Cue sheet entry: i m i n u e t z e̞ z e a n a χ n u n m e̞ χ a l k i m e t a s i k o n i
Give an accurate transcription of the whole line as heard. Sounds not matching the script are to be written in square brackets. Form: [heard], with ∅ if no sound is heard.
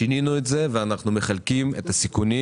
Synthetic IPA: i [n] i n u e t z e̞ [v] e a n a χ n u [∅] m e̞ χ a l k i m e t a s i k [u] n i

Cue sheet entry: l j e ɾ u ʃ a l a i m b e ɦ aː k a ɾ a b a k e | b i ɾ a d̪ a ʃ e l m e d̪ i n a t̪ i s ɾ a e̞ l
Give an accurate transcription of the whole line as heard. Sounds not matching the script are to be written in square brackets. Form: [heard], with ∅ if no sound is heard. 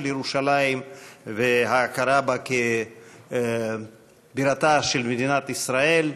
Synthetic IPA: l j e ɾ u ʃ a l a i m [v] e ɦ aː k a ɾ a b a k e | b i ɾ a [t̪] a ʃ e l m e d̪ i n a t̪ i s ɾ a e̞ l

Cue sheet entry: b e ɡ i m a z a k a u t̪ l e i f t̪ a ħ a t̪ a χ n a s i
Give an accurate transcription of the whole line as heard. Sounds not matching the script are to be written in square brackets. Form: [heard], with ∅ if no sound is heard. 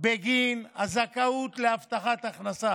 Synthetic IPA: b e ɡ i [n] a z a k a u t̪ l e [a] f t̪ a [χ] a t̪ a χ n a s [a]

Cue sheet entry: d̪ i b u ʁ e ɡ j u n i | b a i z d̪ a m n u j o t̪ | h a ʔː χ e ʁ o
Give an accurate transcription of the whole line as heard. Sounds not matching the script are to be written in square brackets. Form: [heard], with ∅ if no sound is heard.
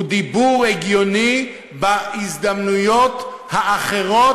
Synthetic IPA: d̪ i b u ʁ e ɡ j [o] n i | b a i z d̪ a m n u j o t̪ | h a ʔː χ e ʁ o

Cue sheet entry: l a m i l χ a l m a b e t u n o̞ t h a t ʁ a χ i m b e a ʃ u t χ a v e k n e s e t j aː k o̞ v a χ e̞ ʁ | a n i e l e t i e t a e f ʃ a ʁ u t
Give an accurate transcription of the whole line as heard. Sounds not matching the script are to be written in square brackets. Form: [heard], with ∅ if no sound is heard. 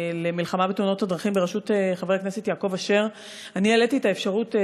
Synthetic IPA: l [e] m i l χ a [∅] m a b e t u n o̞ t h a [d] ʁ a χ i m b e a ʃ u t χ a v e k n e s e t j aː k o̞ v a [ʃ] e̞ ʁ | a n i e l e t i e t a e f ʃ a ʁ u t

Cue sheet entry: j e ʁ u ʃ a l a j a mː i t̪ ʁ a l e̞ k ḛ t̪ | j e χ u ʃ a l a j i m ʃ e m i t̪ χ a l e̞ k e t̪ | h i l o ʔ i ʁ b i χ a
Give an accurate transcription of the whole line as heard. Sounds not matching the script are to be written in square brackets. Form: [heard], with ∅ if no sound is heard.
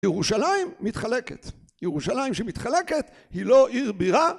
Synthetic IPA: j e ʁ u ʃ a l a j [i] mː i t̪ [χ] a l e̞ k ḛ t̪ | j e [ʁ] u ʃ a l a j i m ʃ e m i t̪ χ a l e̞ k e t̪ | h i l o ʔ i ʁ b i [ʁ] a

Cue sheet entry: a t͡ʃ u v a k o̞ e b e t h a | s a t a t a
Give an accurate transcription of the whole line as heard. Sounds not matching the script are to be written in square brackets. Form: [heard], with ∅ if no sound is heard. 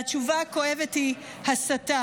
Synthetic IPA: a t͡ʃ u v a k o̞ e [v] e t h [i] | [h] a [s] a t a

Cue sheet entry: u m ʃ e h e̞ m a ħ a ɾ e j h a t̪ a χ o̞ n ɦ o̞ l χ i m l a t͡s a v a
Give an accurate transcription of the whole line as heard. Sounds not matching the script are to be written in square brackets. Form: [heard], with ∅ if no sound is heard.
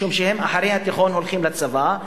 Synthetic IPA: u m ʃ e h e̞ m a ħ a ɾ e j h a t̪ [i] χ o̞ n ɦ o̞ l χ i m l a t͡s a v a

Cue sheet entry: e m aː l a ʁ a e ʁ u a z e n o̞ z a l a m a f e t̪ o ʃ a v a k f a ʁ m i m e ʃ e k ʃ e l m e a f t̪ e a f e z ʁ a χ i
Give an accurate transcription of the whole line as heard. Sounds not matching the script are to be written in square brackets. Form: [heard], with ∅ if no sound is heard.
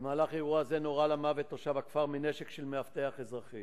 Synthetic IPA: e m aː l a [χ] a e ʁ u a z e n o̞ [ʁ] a l a m a [v] e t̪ o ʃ a v a k f a ʁ m i [n] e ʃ e k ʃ e l m e a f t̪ e a [χ] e z ʁ a χ i

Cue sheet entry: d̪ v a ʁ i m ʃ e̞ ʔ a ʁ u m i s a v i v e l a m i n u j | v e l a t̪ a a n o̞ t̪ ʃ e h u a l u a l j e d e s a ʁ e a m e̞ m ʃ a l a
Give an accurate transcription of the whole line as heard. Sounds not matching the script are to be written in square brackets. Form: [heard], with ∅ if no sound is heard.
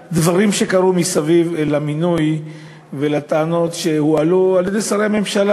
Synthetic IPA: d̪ v a ʁ i m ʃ e̞ [k] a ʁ u m i s a v i v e l a m i n u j | v e l a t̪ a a n o̞ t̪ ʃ e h u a l u a l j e d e s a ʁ e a m e̞ m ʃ a l a

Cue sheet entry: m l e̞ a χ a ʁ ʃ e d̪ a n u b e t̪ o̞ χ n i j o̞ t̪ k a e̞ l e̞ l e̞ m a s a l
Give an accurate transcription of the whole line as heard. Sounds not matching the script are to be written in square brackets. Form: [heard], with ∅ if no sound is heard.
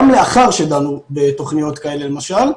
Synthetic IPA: m l e̞ a χ a ʁ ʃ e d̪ a n u b e t̪ o̞ χ n i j o̞ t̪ k a e̞ l e̞ l e̞ m a [ʃ] a l

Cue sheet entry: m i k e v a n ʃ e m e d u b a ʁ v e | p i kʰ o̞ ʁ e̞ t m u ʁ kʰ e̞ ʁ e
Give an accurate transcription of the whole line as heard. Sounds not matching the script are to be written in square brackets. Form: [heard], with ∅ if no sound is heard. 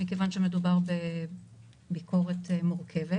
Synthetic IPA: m i k e v a n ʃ e m e d u b a ʁ [b] e | [b] i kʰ o̞ ʁ e̞ t m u ʁ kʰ e̞ [v] e

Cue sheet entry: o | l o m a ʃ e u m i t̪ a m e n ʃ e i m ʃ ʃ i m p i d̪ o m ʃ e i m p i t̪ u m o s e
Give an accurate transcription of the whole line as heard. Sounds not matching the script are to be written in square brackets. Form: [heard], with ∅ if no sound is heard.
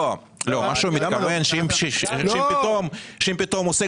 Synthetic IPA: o | l o m a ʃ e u m i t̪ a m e n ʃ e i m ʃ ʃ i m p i [t̪] o m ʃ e i m p i t̪ [o] m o s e

